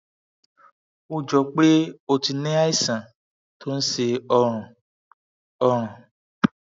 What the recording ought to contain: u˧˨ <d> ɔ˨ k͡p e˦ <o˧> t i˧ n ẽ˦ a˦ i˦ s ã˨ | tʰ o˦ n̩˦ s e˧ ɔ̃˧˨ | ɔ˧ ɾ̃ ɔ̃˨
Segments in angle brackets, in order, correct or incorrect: incorrect, correct

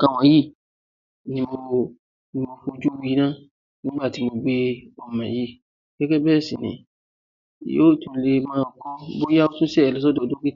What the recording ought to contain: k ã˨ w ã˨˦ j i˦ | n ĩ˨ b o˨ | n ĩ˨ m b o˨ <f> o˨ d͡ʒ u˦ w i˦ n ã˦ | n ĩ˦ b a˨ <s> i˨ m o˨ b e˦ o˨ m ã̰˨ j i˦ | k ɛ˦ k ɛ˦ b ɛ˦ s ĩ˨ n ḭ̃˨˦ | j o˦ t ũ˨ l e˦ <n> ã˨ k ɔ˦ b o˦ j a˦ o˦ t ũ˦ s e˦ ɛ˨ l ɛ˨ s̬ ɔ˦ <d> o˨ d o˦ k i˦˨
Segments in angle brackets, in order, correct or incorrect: correct, incorrect, incorrect, correct

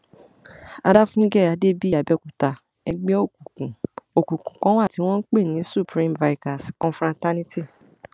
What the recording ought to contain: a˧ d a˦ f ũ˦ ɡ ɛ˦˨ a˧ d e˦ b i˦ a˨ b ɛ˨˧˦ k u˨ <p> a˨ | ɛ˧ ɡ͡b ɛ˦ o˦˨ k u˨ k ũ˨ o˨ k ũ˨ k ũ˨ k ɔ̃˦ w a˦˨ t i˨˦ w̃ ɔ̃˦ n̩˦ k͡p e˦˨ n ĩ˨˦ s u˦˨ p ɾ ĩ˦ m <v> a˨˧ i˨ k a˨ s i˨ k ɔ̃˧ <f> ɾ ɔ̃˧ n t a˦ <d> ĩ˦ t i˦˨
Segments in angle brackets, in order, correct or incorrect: incorrect, correct, correct, incorrect

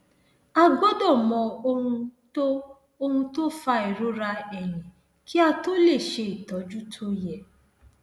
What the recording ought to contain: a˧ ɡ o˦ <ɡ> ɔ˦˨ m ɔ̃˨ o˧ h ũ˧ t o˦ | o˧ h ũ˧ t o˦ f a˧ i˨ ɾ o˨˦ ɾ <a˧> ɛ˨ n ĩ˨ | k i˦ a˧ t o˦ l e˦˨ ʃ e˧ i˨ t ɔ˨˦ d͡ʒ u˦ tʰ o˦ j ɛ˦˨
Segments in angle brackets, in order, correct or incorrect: incorrect, correct

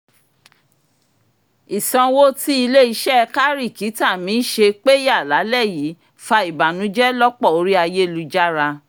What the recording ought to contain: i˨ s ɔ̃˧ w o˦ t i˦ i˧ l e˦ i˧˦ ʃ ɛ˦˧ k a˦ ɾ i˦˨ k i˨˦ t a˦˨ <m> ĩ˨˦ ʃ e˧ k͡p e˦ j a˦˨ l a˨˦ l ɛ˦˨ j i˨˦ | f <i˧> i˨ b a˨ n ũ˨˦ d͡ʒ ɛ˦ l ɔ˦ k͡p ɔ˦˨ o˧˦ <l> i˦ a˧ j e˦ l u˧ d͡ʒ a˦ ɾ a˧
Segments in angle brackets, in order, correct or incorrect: correct, incorrect, incorrect

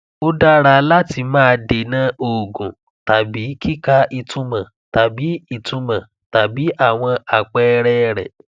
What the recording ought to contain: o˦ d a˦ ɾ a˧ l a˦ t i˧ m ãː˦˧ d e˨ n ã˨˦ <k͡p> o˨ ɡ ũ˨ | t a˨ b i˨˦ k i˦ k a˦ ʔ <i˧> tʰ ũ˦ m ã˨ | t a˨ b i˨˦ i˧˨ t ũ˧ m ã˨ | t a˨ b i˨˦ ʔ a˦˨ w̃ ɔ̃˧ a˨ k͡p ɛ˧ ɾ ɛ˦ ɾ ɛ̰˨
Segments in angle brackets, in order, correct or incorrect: incorrect, correct

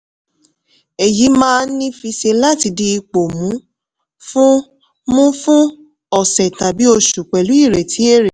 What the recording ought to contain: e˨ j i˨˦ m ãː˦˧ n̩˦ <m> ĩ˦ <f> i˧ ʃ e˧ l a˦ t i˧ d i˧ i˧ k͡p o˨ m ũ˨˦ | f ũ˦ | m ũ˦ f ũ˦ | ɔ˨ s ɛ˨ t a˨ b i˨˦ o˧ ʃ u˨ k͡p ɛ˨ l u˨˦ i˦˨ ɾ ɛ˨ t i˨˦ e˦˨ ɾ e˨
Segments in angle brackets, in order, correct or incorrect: incorrect, correct

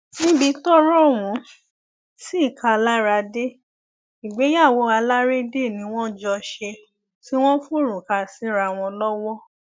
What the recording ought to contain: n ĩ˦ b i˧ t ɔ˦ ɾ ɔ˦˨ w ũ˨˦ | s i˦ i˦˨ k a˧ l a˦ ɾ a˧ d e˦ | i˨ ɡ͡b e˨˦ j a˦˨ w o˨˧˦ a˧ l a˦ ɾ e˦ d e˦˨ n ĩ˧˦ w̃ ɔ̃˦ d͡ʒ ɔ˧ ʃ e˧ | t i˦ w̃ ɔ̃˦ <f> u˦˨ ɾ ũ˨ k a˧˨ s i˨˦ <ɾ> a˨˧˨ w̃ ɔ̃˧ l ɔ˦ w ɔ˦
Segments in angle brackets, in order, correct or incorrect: correct, correct

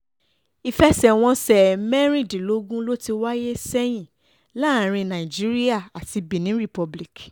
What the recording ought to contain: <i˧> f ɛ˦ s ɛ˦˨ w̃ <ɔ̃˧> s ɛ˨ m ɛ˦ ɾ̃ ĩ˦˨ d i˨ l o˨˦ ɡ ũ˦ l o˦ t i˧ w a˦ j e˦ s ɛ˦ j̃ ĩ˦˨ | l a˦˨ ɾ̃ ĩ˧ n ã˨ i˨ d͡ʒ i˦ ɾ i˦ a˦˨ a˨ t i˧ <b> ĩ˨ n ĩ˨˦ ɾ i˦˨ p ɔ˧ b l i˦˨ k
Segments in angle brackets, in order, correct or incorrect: correct, correct, correct

